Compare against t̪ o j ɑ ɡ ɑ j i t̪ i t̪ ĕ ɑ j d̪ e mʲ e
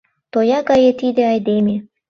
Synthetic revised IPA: t̪ o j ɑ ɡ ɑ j e t̪ i d̪ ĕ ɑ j d̪ e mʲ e